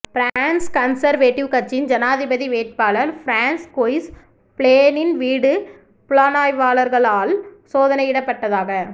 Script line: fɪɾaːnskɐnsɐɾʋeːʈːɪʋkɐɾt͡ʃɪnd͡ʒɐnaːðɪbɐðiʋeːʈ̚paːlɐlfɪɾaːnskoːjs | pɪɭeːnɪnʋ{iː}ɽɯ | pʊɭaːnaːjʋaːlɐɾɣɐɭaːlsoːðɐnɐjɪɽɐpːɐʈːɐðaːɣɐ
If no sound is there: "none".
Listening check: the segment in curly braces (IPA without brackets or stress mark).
iː